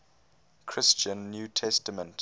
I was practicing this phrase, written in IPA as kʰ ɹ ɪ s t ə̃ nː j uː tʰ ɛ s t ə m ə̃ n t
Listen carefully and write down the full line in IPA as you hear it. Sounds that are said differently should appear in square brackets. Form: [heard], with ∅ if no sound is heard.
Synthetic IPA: kʰ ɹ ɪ s [t͡ʃ] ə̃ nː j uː tʰ ɛ s t ə m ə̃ n t